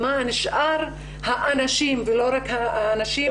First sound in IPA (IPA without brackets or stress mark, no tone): m